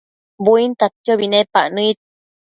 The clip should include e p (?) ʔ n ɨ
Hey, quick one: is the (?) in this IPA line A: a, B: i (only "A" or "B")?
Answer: A